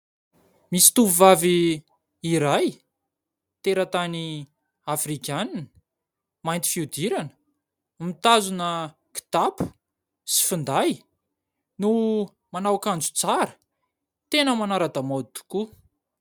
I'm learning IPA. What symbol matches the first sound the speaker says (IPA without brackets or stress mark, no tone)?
m